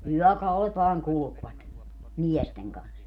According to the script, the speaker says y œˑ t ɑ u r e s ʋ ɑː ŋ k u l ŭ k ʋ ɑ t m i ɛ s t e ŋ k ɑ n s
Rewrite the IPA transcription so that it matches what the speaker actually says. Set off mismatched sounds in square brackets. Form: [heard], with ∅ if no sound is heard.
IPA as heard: y œˑ [k] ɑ u [l] e [t] ʋ ɑː ŋ k u l ŭ k ʋ ɑ t m i ɛ s t e ŋ k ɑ n s

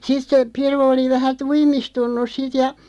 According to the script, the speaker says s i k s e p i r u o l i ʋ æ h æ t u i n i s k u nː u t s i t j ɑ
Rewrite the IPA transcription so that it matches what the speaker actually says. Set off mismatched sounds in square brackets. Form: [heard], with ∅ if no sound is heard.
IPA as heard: s i [t] s e p i r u o l i ʋ æ h æ t u i [m] i s [t] u nː u [s] s i t j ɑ

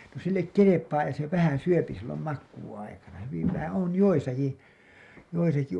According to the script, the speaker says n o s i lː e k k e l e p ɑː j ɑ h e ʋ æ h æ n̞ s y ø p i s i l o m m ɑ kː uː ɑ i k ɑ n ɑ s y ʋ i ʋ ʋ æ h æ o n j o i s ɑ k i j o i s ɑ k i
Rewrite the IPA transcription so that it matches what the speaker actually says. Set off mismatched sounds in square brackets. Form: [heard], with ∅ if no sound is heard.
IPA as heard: n o s i lː e k k e l e p ɑː j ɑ [s] e ʋ æ h æ n̞ s y ø p i s i [lː] o m m ɑ kː uː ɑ i k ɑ n ɑ [h] y ʋ i ʋ ʋ æ h æ o n j o i s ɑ k i j o i s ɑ k i

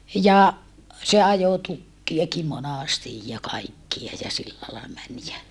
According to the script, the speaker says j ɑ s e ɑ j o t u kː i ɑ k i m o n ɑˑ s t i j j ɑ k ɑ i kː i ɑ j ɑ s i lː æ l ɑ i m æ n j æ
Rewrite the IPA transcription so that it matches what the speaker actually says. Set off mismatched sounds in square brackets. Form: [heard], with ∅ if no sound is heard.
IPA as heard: j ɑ s e ɑ j o t u kː i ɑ k i m o n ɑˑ s t i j j ɑ k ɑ i kː i ɑ j ɑ s i lː æ l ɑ i m æ n j æ

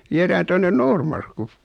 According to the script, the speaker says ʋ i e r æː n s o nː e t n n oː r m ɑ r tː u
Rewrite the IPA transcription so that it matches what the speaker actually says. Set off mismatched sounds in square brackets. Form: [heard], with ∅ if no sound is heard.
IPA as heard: ʋ i e r æː n [t] o nː e [∅] n n oː r m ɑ r [kː] u

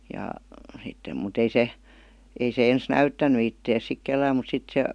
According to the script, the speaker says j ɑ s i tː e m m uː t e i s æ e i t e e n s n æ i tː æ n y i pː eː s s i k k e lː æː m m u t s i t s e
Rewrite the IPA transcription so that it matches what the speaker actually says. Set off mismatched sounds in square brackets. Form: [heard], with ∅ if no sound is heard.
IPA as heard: j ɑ s i tː e m m [u] t e i s [e] e i [s] e e n s n æ [y] tː æ n y i [tː] eː s s i k k e lː æː m m u t s i t s e

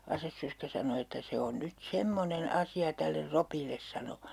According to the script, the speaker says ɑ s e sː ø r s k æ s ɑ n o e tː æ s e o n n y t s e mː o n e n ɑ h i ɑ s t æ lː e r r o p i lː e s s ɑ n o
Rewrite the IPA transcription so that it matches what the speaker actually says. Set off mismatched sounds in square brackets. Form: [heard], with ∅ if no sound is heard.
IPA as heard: ɑ s e sː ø r s k æ s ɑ n o e tː æ s e o n n y t s e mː o n e n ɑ [s] i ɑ [∅] t æ lː e r r o p i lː e s s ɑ n o

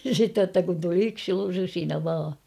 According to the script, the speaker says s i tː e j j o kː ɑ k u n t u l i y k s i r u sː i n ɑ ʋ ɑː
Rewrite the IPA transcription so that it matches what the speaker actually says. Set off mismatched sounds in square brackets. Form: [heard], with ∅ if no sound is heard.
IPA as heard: s i tː e j j o [tː] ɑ k u n t u l i y k s i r u [s] i n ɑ ʋ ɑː

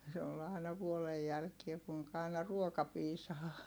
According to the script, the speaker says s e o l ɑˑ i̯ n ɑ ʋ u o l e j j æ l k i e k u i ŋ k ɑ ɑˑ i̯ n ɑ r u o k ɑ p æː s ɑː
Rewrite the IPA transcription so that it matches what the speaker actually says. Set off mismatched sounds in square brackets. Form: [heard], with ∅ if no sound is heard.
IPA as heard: s e o l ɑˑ i̯ n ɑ ʋ u o l e j j æ l k i e k u i ŋ k ɑ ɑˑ i̯ n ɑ r u o k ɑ p [iː] s ɑː

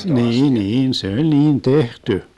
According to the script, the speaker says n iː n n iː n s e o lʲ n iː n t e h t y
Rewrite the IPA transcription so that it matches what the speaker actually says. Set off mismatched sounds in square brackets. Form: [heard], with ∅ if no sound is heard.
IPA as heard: n iː n n iː n s e o lʲ n iː n t e h t y

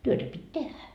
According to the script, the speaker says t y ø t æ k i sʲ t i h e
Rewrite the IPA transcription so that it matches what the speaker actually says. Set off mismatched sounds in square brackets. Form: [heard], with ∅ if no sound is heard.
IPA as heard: t y ø t æ [p] i [tʲ] t [e] h [æ]

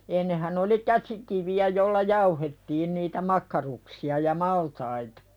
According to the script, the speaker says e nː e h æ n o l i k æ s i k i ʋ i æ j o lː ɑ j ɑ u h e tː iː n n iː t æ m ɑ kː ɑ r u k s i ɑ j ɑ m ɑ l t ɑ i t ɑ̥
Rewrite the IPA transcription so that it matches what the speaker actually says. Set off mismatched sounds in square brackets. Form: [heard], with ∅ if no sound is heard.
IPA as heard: e nː e h æ n o l i k æ s i k i ʋ i æ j o lː ɑ j ɑ u h e tː iː n n iː t æ m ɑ kː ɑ r u k s i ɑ j ɑ m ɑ l t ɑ i t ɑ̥

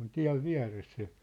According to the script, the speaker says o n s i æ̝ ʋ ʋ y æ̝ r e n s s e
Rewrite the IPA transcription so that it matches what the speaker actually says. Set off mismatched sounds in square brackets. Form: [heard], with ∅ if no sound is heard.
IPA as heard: o n [t] i æ̝ ʋ ʋ [i] æ̝ r e [∅] s s e

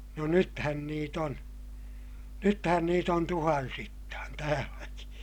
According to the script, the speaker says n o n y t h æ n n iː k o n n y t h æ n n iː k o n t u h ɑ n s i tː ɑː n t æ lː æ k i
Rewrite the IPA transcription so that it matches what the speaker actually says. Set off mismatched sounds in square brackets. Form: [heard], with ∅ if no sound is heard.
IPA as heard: n o n y t h æ n n iː [t] o n n y t h æ n n iː [t] o n t u h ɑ n s i tː ɑː n t [æː] lː æ k i

